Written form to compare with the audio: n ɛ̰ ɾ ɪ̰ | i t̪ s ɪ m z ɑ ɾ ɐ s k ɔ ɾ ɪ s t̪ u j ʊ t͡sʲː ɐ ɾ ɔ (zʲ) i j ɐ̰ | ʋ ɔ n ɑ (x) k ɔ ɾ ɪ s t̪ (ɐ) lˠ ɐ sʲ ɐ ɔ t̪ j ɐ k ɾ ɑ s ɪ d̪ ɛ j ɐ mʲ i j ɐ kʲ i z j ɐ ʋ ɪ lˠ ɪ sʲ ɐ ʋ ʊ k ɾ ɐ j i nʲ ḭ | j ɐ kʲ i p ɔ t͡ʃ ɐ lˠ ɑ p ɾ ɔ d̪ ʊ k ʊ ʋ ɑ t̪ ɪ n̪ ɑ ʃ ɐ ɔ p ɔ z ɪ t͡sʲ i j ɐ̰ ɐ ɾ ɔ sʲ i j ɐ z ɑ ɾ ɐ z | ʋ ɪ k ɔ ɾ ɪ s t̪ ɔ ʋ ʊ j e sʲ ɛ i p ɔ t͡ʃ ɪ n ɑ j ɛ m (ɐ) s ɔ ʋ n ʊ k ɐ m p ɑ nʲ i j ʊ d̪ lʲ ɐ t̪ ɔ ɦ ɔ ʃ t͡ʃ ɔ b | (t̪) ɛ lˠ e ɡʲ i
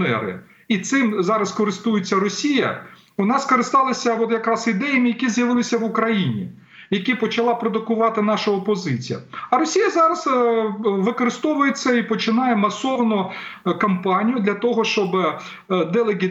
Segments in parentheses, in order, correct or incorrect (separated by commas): incorrect, incorrect, incorrect, correct, incorrect